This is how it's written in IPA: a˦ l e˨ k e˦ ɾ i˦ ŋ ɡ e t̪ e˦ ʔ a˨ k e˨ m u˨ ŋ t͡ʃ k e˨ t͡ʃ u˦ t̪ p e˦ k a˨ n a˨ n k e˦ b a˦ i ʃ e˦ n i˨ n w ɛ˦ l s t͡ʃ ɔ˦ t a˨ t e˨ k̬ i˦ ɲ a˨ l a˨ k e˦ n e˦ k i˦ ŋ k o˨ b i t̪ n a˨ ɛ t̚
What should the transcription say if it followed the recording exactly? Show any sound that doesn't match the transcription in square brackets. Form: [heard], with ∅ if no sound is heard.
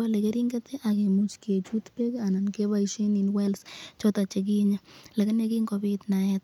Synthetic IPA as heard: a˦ l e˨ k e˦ ɾ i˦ ŋ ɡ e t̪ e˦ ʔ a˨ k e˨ m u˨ [∅] t͡ʃ k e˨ t͡ʃ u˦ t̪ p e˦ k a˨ n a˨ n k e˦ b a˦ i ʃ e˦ n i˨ n w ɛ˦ l s t͡ʃ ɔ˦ t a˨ [t͡ʃ] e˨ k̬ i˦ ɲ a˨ l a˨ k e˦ n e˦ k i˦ ŋ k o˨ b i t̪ n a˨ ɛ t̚

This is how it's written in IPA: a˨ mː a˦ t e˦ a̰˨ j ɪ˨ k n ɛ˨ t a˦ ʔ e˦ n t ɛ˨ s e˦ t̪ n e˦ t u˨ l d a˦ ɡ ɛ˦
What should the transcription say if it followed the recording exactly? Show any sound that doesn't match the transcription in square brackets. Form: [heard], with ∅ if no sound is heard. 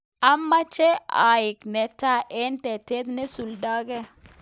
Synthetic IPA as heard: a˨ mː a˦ [t͡ʃ] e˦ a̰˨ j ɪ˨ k n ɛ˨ t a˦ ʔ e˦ n t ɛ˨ [t] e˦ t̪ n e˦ [s] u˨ l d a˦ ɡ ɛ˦

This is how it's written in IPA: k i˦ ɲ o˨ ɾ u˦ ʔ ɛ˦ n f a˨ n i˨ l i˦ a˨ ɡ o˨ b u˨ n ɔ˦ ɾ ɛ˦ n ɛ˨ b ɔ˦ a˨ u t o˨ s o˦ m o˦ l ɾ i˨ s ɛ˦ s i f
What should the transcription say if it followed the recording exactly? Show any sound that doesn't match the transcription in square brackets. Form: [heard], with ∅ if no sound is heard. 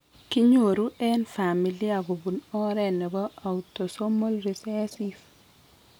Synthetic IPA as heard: k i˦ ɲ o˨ ɾ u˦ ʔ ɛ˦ n f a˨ [m] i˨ l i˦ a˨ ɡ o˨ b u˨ n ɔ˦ ɾ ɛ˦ n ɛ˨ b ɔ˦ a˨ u t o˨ s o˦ m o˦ l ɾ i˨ s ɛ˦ s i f

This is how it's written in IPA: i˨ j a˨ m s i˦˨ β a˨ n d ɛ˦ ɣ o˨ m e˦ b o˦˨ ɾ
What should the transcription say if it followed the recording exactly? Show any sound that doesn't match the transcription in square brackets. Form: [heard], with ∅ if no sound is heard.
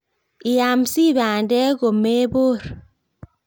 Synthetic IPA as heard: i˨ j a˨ m s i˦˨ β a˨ n d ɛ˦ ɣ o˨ m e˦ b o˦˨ ɾ

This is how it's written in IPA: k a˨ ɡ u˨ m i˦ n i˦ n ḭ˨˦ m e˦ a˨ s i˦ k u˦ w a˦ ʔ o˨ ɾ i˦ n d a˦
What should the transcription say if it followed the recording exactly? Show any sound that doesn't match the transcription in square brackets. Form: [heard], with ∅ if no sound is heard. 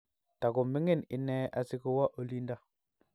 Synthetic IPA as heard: [t] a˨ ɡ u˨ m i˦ [ŋ] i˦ n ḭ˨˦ [n] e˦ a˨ s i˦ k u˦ w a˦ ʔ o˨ [l] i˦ n d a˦

